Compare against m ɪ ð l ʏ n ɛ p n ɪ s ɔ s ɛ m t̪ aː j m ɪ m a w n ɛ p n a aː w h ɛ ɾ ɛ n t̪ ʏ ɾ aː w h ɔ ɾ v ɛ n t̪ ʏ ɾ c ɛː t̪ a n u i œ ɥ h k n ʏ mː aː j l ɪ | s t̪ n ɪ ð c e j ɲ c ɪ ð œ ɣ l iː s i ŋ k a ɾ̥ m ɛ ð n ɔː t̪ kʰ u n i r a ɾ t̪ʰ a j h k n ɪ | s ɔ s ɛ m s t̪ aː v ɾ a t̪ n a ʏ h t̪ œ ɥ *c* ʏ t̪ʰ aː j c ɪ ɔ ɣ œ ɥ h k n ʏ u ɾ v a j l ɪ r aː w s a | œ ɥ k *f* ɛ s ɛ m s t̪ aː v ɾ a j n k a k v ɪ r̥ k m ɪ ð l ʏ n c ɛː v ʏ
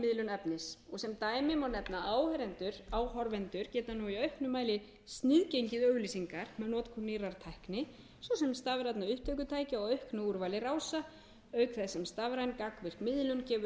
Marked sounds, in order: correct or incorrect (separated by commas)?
incorrect, incorrect